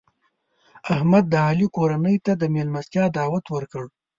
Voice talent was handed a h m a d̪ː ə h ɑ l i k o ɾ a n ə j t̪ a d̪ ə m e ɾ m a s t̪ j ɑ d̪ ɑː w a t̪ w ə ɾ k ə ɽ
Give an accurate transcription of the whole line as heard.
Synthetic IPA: a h m a d̪ː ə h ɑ l i k o ɾ a n ə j t̪ a d̪ ə m e l m a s t̪ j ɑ d̪ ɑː w a t̪ w ə ɾ k ə ɽ